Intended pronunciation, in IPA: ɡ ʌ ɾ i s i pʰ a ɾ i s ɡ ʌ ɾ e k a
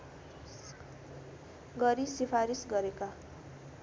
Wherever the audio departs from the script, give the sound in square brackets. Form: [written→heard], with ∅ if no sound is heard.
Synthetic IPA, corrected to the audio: ɡ ʌ ɾ i s i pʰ a ɾ i s ɡ ʌ ɾ e k a